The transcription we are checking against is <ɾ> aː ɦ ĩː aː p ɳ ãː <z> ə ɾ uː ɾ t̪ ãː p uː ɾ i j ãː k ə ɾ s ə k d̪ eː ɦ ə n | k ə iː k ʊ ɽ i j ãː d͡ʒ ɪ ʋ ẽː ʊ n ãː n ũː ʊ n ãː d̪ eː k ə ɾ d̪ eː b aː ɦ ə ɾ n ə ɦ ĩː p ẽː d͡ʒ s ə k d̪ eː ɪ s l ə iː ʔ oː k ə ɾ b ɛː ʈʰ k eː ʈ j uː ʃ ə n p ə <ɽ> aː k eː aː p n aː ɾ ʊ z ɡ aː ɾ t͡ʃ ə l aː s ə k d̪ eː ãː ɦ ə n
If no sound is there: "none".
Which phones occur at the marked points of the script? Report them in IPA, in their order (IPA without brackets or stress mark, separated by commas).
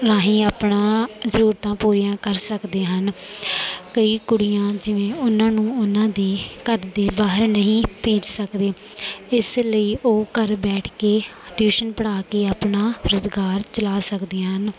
ɾ, z, ɽ